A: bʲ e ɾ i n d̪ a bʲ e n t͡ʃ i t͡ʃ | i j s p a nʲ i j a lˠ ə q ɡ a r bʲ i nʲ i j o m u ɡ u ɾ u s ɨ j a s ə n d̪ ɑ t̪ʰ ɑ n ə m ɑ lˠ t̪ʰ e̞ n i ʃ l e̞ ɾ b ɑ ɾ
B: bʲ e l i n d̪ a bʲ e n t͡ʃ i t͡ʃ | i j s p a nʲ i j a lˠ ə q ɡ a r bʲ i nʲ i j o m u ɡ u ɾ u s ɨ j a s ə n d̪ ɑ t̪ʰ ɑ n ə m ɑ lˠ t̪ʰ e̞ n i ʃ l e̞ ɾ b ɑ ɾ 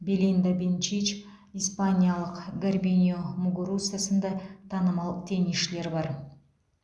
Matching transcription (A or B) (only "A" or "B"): B